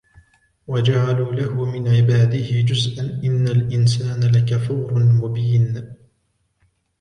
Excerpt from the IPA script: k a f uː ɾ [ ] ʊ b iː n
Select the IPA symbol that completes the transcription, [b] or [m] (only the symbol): m